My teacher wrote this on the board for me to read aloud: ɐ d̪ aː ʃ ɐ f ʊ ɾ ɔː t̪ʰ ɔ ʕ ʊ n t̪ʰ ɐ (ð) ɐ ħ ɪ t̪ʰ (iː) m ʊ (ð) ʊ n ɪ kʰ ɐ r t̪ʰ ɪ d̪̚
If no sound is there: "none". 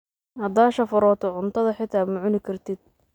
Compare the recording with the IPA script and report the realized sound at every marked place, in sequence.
ð, aː, ʕ

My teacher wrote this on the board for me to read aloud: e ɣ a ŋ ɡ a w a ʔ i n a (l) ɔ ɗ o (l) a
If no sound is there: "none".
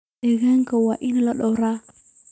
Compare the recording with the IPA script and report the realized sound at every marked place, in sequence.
l, ɾ

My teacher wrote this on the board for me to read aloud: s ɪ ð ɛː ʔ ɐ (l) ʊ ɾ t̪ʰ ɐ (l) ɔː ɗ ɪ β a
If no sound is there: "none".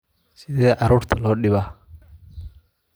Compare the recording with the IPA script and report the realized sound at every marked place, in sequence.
ɾ, l

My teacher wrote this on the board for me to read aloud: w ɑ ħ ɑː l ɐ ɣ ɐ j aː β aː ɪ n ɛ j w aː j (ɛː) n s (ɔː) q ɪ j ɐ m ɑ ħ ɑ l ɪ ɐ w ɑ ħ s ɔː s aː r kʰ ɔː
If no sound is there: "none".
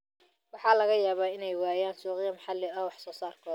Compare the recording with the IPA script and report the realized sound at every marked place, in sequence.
aː, uː

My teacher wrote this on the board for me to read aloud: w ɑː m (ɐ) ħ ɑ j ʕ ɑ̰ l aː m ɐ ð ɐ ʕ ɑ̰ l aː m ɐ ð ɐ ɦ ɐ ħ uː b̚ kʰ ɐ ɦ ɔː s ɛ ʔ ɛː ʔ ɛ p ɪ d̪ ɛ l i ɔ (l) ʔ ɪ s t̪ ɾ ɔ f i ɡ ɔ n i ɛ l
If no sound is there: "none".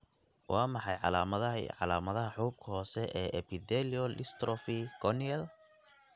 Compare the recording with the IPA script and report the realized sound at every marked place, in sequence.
ɑ, l

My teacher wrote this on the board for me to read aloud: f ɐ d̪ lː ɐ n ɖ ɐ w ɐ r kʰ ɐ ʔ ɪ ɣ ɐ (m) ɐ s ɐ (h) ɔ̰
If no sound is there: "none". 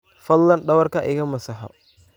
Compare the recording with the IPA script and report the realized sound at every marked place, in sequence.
m, ħ

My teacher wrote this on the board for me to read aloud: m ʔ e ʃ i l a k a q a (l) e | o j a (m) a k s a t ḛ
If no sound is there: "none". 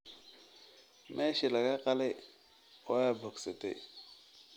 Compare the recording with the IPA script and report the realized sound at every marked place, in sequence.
l, b

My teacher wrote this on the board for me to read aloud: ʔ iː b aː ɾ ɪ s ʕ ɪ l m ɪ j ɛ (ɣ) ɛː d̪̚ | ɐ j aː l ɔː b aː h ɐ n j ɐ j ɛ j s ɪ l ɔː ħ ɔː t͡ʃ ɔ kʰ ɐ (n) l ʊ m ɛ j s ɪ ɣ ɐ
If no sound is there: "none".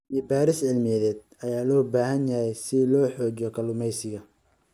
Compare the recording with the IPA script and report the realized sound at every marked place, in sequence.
ð, none

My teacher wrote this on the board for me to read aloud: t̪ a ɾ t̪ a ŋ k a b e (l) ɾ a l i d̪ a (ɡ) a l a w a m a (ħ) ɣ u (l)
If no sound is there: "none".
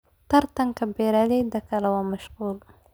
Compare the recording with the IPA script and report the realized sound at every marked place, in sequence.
none, k, ʃ, l

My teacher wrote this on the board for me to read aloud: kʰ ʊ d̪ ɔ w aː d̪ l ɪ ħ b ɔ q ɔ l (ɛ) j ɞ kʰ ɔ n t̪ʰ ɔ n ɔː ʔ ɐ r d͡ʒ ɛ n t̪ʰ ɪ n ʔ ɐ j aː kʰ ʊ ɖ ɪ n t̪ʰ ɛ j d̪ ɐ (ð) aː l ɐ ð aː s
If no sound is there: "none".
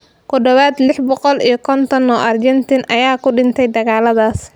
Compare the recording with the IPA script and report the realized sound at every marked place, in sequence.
i, ɣ

